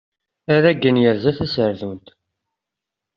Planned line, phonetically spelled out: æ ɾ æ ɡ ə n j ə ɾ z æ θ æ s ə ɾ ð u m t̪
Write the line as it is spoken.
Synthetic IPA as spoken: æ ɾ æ ɡ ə n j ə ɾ z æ θ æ s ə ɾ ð u n t̪